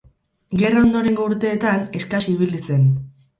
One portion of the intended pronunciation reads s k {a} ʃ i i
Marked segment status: correct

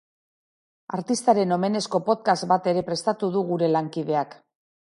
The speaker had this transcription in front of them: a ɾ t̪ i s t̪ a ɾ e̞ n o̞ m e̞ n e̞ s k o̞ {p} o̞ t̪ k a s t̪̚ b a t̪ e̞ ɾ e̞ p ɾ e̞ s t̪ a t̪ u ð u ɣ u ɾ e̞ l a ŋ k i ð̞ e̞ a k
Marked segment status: correct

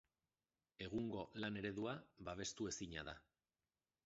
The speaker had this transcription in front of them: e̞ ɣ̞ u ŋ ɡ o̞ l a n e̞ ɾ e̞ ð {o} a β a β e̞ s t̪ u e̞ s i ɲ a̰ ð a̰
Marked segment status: incorrect: u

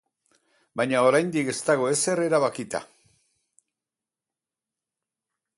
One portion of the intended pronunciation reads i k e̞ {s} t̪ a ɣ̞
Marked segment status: correct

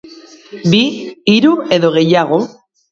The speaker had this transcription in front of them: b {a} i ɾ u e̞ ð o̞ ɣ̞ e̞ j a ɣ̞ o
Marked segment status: incorrect: i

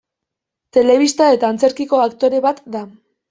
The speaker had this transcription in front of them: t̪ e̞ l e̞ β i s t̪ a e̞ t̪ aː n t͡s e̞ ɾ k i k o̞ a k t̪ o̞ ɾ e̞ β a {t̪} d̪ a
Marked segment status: correct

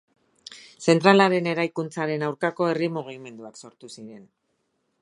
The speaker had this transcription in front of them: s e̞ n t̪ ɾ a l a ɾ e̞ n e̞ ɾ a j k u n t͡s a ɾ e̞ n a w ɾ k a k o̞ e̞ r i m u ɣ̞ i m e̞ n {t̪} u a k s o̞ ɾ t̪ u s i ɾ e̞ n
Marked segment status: incorrect: d̪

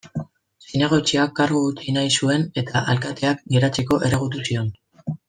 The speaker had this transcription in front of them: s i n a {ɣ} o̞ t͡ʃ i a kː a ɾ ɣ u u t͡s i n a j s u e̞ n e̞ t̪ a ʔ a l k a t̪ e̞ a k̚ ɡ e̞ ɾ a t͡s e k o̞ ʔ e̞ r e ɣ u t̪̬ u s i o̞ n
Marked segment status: correct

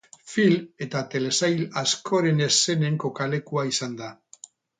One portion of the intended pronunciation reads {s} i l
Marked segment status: incorrect: f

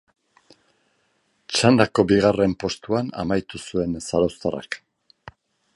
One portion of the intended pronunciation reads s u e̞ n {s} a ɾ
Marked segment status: correct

